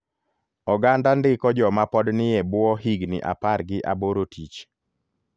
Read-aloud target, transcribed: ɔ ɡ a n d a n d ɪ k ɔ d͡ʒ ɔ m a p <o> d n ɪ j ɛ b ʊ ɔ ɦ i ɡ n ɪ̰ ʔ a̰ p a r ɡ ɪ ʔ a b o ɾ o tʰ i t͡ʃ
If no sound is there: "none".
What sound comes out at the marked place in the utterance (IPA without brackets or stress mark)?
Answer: ɔ